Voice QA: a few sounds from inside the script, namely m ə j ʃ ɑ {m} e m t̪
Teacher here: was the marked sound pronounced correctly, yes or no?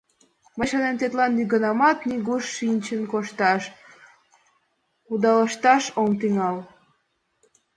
no